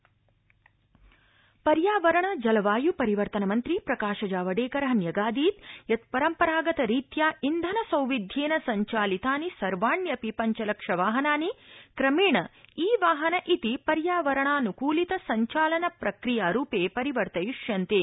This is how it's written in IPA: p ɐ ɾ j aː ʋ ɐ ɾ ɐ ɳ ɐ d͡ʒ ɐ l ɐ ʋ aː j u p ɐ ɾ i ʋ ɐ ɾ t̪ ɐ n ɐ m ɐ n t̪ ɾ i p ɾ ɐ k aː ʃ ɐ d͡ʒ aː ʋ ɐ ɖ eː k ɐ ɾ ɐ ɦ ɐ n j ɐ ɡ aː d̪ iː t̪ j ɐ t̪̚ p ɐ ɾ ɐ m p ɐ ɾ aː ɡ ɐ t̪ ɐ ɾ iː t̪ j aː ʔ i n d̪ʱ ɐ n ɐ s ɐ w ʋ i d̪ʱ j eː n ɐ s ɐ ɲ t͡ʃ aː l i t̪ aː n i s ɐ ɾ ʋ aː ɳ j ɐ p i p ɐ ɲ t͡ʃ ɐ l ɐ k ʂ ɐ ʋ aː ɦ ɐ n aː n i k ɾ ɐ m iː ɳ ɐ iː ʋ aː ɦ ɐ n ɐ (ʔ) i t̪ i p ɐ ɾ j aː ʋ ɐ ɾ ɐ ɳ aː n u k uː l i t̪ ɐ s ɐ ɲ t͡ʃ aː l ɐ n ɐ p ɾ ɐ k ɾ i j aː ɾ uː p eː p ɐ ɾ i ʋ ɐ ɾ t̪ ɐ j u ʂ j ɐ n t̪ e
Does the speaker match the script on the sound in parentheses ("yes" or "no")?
yes